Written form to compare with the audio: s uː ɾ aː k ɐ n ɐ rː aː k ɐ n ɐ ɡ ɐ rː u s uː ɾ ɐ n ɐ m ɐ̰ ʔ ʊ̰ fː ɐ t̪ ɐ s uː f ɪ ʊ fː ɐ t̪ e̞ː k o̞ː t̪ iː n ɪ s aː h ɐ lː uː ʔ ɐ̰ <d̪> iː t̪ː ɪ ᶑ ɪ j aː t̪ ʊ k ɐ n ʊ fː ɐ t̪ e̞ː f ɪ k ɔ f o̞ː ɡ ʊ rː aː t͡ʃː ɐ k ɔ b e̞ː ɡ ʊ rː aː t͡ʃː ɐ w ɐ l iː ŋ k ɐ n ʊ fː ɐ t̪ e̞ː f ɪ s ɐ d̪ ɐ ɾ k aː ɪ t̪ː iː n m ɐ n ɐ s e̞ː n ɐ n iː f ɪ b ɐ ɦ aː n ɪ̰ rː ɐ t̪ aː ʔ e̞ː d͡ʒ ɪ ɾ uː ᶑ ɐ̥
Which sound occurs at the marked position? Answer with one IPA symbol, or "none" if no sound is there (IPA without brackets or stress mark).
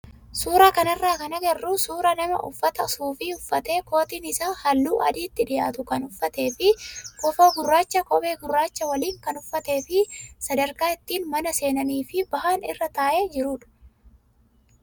d̪